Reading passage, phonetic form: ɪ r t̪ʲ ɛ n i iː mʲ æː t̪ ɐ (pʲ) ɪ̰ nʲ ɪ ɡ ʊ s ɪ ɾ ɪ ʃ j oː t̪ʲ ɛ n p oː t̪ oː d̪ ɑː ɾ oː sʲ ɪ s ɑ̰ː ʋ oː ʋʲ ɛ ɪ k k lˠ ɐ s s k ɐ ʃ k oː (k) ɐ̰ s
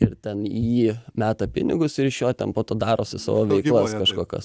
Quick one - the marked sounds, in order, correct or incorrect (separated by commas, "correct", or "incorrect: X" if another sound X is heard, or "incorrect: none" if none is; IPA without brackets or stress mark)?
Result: correct, correct